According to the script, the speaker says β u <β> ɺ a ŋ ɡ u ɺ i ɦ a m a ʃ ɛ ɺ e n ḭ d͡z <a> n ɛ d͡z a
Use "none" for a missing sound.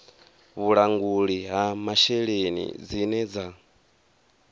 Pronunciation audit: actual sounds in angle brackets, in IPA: none, i

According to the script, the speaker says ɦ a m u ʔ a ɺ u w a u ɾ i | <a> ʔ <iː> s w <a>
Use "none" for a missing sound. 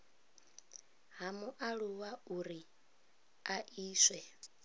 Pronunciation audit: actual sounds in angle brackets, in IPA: a, iː, ɛ

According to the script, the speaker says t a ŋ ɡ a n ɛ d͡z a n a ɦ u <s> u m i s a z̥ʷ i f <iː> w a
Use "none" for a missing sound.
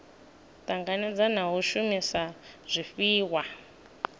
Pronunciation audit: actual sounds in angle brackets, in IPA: ʃ, iː

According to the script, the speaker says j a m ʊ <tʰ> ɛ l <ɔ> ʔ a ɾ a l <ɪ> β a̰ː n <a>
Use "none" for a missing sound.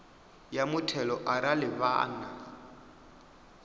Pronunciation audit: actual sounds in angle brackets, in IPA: tʰ, ɔ, ɪ, a

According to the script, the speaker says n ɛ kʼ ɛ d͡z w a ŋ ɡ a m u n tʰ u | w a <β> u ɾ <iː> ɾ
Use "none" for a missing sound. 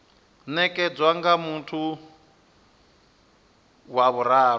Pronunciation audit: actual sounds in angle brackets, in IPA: β, aː

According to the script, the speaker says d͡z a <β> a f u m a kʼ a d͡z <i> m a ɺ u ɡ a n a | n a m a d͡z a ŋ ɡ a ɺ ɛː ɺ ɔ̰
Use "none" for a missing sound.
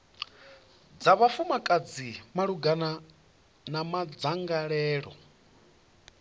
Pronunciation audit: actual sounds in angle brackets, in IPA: β, i

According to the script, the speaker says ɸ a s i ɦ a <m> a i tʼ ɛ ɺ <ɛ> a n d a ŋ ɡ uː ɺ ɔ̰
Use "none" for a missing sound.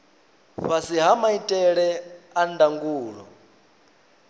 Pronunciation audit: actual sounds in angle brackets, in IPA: m, ɛ

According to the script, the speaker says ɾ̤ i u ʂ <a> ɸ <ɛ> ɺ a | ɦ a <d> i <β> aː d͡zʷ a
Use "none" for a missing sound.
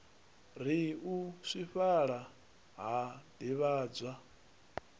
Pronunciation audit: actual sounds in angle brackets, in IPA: i, a, d, β

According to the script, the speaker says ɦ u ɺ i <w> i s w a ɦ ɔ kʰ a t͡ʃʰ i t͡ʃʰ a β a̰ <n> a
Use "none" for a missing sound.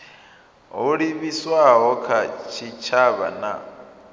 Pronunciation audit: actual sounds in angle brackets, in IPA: β, n

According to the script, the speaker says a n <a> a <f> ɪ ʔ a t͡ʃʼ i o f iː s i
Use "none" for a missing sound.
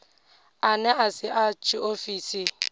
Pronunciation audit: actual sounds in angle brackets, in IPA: ɛ, s

